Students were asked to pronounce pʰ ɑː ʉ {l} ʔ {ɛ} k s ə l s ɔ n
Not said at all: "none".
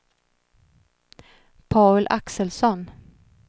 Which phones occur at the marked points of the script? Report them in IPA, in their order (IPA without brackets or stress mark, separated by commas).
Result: l, a